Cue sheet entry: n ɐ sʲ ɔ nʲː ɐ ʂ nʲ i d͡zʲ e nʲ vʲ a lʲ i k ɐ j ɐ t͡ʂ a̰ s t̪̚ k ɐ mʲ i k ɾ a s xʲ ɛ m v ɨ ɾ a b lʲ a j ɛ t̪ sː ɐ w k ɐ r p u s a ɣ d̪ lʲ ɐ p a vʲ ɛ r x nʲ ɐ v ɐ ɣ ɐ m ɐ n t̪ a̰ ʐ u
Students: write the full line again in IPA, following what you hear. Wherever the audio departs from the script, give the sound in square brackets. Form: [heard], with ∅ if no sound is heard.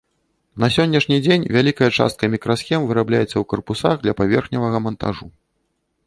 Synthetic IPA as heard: n ɐ sʲ ɔ nʲː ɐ ʂ nʲ i d͡zʲ e nʲ vʲ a lʲ i k ɐ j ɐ t͡ʂ a̰ s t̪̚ k ɐ mʲ i k ɾ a s xʲ ɛ m v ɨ ɾ a b lʲ a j ɛ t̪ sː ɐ w k ɐ r p u s a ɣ d̪ lʲ ɐ p a vʲ ɛ r x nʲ ɐ v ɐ ɣ ɐ m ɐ n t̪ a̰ ʐ u